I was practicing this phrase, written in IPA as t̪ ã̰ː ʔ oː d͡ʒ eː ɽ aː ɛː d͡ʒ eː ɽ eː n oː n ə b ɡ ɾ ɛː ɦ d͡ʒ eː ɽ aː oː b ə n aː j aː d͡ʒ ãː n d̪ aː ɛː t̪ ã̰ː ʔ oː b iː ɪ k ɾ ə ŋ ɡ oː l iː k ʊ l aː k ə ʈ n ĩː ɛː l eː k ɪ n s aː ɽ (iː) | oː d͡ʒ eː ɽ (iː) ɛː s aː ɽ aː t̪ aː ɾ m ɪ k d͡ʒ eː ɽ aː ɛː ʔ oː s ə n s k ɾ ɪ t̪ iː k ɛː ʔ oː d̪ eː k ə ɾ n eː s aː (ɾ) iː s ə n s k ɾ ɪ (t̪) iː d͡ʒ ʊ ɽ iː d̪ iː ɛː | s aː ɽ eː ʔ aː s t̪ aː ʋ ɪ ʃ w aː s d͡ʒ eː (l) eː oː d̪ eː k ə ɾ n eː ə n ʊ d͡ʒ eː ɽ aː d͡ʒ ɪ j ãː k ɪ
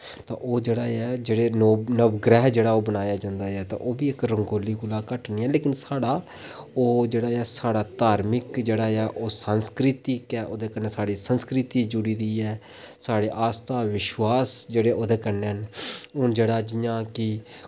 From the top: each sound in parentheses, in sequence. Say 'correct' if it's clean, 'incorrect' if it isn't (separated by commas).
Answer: incorrect, incorrect, incorrect, correct, incorrect